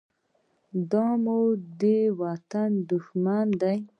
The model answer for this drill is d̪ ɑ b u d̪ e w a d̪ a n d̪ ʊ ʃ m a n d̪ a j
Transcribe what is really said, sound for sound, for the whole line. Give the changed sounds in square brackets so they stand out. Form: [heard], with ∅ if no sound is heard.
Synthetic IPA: d̪ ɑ [m] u d̪ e w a [t̪] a n d̪ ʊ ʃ m a n d̪ a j